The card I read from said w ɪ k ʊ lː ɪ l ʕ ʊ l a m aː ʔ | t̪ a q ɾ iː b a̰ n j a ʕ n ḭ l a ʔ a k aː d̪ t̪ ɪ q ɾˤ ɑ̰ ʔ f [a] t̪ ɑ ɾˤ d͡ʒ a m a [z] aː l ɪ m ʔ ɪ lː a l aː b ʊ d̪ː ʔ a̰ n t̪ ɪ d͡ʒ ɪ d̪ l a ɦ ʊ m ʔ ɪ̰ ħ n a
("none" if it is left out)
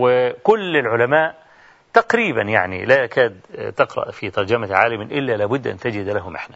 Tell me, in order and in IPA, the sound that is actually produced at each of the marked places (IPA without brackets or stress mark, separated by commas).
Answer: i, ʕ